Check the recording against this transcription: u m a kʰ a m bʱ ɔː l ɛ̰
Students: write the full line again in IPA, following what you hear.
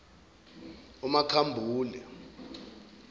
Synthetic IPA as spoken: u m a kʰ a m bʱ uː l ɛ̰